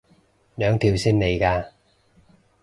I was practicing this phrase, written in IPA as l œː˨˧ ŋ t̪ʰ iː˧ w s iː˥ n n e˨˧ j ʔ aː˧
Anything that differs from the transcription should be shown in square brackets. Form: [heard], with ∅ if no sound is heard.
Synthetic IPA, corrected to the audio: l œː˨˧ ŋ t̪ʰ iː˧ w s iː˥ n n e˨˧ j [k] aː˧